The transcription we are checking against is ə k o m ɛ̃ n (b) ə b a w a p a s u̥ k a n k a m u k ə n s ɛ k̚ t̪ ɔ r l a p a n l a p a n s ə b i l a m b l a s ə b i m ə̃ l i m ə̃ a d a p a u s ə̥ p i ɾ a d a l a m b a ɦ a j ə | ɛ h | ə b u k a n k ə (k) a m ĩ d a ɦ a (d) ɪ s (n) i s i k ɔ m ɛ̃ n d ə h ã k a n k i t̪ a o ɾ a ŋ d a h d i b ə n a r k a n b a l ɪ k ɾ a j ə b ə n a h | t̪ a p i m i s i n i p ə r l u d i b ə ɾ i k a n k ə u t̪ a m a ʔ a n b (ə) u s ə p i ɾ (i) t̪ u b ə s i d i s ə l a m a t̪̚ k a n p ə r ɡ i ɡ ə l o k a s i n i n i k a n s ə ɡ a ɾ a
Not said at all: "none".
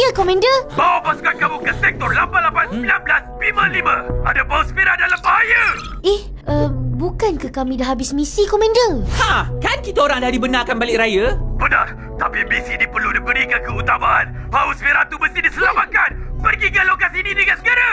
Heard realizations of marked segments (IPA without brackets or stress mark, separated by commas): d, k, b, m, a, a